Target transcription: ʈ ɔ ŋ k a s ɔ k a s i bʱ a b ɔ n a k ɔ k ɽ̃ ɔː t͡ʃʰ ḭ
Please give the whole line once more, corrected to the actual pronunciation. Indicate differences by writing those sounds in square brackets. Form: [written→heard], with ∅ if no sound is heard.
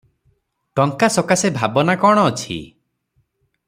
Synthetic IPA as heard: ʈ ɔ ŋ k a s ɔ k a s [i→e] bʱ a b ɔ n a k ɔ [k→∅] ɽ̃ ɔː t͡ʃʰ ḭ

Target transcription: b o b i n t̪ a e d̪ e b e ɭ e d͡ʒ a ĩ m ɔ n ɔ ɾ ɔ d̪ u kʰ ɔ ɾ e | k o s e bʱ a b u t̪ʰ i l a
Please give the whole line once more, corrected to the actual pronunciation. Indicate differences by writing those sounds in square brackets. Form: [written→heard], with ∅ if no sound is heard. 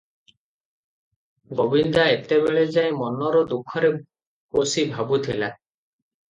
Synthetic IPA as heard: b o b i n [t̪→d̪] a e [d̪→t̪] e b e ɭ e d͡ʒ a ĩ m ɔ n ɔ ɾ ɔ d̪ u kʰ ɔ ɾ e | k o s [e→i] bʱ a b u t̪ʰ i l a

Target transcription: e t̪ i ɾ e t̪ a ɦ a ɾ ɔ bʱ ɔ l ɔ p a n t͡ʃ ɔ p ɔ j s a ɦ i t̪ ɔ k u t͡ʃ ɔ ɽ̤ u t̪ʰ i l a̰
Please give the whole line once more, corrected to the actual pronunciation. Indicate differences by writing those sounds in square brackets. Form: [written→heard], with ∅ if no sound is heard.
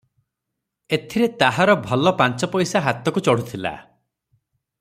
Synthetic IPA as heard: e [t̪→t̪ʰ] i ɾ e t̪ a ɦ a ɾ ɔ bʱ ɔ l ɔ p a n t͡ʃ ɔ p ɔ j s a ɦ [i→a] t̪ ɔ k u t͡ʃ ɔ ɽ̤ u t̪ʰ i l a̰

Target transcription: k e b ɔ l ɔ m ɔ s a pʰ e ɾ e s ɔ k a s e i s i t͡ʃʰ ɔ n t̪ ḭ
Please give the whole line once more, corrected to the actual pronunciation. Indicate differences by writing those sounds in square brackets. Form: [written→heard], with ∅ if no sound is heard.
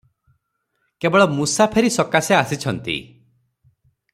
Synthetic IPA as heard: k e b ɔ [l→ɭ] ɔ m [ɔ→u] s a pʰ e ɾ [e→i] s ɔ k a s e [i→a] s i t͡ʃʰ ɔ n t̪ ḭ

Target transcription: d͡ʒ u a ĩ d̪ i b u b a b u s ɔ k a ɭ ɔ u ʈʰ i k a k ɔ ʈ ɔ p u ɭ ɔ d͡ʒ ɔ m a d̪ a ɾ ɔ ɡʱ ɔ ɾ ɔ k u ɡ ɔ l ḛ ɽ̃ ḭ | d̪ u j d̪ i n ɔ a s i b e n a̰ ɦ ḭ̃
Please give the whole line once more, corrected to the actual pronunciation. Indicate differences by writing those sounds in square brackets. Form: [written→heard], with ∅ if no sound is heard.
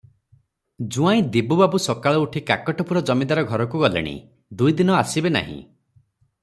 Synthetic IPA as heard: d͡ʒ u a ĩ d̪ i b u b a b u s ɔ k a ɭ ɔ u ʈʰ i k a k ɔ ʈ ɔ p u [ɭ→ɾ] ɔ d͡ʒ ɔ m [a→i] d̪ a ɾ ɔ ɡʱ ɔ ɾ ɔ k u ɡ ɔ l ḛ ɽ̃ ḭ | d̪ u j d̪ i n ɔ a s i b e n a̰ ɦ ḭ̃

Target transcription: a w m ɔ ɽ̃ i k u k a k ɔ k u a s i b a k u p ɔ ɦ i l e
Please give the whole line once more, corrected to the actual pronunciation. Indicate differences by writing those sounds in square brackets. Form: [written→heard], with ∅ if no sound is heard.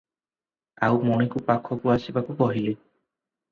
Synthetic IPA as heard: a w m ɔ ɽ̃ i k u [k→p] a [k→kʰ] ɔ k u a s i b a k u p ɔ ɦ i l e

